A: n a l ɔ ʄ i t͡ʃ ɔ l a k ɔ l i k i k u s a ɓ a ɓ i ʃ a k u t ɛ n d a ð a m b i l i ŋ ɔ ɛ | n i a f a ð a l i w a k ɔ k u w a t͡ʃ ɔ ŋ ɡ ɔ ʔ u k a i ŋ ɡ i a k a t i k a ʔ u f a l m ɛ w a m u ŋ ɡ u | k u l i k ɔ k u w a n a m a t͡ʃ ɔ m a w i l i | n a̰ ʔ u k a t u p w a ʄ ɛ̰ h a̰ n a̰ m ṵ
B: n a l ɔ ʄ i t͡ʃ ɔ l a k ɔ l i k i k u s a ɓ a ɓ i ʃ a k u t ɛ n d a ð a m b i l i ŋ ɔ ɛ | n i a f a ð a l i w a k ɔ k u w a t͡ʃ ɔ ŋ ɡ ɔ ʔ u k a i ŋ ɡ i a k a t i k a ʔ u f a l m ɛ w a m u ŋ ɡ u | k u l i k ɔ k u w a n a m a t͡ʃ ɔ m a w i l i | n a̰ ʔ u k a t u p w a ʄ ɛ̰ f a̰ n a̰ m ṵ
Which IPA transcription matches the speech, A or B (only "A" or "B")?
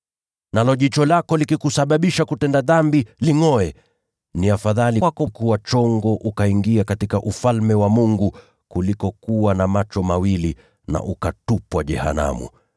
A